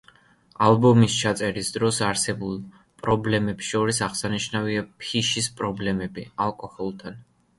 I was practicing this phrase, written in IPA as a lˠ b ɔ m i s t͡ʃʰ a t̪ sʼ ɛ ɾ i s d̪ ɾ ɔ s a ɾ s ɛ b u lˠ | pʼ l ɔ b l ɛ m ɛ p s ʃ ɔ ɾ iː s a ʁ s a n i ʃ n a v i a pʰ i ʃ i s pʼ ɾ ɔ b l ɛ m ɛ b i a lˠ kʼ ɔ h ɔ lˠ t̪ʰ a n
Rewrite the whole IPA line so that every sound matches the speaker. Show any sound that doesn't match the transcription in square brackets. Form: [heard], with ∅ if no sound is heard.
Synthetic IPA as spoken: a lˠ b ɔ m i s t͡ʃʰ a t̪ sʼ ɛ ɾ i s d̪ ɾ ɔ s a ɾ s ɛ b u lˠ | pʼ [ɾ] ɔ b l ɛ m ɛ p s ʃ ɔ ɾ [i] s a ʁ s a n i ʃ n a v i a pʰ i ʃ i s pʼ ɾ ɔ b l ɛ m ɛ b i a lˠ kʼ ɔ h ɔ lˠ t̪ʰ a n

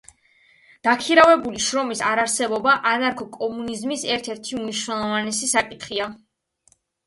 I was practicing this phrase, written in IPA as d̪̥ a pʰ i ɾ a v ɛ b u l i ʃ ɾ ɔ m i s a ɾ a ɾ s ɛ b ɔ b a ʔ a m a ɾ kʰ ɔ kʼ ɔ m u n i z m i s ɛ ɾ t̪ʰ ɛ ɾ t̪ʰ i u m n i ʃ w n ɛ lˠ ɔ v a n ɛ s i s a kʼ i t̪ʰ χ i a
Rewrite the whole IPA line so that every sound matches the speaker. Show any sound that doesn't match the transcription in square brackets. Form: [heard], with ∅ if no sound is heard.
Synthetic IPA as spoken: d̪̥ a [kʰ] i ɾ a v ɛ b u l i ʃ ɾ ɔ m i s a ɾ a ɾ s ɛ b ɔ b a ʔ a [n] a ɾ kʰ ɔ kʼ ɔ m u n i z m i s ɛ ɾ t̪ʰ ɛ ɾ t̪ʰ i u m n i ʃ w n ɛ lˠ ɔ v a n ɛ s i s a kʼ i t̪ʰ χ i a

